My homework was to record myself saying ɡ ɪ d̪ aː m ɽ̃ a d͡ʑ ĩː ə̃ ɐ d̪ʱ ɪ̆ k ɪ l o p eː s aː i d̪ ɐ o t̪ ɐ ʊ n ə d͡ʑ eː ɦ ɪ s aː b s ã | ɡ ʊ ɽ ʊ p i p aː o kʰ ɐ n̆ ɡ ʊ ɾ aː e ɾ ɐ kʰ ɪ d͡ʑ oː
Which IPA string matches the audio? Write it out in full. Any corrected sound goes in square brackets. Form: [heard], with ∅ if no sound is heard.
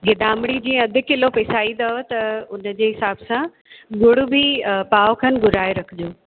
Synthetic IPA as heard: ɡ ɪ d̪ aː m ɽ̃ [i] d͡ʑ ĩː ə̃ ɐ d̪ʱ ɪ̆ k ɪ l o p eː s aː i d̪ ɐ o t̪ ɐ ʊ n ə d͡ʑ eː ɦ ɪ s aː b s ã | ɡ ʊ ɽ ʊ [b] i p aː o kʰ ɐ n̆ ɡ ʊ ɾ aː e ɾ ɐ kʰ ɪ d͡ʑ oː